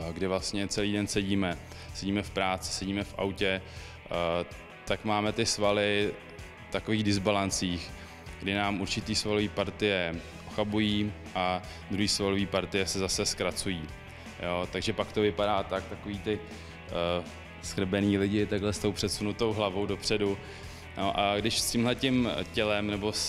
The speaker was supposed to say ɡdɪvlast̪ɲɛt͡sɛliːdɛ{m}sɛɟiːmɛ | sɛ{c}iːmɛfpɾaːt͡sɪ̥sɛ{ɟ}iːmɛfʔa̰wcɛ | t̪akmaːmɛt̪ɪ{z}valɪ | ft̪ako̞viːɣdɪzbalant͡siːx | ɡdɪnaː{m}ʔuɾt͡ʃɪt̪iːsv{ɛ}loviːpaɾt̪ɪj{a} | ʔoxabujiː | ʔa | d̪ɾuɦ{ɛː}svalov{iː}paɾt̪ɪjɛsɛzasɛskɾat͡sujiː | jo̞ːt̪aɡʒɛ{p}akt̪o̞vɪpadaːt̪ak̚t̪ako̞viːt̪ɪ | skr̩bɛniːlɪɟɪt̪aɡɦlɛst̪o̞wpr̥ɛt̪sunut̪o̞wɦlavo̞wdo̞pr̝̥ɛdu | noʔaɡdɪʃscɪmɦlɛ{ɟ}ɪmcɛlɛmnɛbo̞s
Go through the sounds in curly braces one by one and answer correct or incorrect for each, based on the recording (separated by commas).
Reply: incorrect, incorrect, correct, incorrect, correct, incorrect, incorrect, incorrect, correct, correct, incorrect